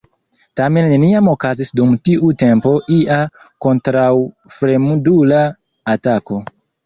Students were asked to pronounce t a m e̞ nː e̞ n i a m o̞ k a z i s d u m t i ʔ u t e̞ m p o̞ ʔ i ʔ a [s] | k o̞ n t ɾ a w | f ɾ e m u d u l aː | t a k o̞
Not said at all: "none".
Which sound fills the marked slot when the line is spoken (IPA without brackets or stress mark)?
none